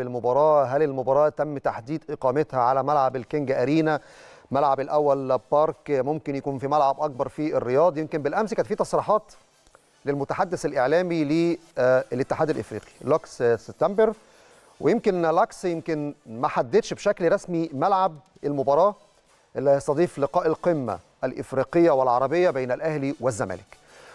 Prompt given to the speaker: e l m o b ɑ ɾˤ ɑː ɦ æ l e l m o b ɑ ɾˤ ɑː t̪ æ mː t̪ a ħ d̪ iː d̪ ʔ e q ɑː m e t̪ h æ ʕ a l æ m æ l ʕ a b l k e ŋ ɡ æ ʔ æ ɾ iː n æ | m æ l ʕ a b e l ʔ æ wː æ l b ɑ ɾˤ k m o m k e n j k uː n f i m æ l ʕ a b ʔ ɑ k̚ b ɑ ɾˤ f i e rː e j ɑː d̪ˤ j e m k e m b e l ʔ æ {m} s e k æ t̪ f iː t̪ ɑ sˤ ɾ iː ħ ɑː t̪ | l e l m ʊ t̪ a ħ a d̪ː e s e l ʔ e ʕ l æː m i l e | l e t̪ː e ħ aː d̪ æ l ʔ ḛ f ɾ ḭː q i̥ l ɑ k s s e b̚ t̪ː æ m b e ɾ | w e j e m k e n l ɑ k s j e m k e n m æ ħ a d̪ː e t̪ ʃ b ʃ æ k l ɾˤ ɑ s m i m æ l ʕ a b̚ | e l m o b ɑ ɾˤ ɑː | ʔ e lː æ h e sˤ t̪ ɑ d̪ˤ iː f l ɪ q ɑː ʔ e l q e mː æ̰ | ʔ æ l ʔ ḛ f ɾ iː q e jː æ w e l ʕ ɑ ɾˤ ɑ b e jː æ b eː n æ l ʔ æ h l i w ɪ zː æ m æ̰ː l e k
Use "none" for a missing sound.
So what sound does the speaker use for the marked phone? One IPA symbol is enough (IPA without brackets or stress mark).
m